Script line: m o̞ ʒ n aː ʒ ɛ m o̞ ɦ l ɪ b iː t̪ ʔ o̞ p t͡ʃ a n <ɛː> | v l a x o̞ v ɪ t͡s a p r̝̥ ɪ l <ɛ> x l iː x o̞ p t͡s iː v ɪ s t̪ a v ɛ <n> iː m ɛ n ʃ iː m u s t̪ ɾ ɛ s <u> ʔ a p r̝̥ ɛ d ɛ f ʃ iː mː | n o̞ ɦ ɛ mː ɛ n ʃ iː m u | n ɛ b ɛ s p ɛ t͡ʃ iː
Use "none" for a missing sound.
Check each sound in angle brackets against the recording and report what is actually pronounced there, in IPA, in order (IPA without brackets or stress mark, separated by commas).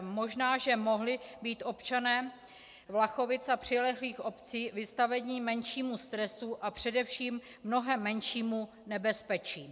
ɛː, ɛ, ɲ, u